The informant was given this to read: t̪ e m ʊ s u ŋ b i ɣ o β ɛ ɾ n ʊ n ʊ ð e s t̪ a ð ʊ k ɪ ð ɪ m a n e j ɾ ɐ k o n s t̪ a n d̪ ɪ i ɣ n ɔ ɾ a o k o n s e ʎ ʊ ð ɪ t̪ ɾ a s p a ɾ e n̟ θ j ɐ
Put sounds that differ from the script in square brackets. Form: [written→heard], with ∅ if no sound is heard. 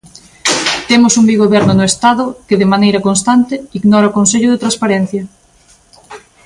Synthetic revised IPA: t̪ e m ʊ s u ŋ b i ɣ o β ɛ ɾ n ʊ n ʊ [ð→∅] e s t̪ a ð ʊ k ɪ ð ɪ m a n e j ɾ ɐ k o n s t̪ a n [d̪→t̪] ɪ i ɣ n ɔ ɾ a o k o n s e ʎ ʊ ð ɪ t̪ ɾ a s p a ɾ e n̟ θ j ɐ